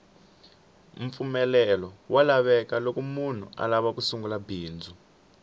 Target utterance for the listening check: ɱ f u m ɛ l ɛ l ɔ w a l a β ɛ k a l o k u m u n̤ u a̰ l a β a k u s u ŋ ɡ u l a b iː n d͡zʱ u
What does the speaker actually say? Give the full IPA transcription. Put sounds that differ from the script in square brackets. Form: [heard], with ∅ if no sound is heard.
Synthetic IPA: ɱ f u m ɛ l ɛ l ɔ w a l a β ɛ k a l o k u m u n̤ u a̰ l a β a k u s u ŋ ɡ u l a b iː n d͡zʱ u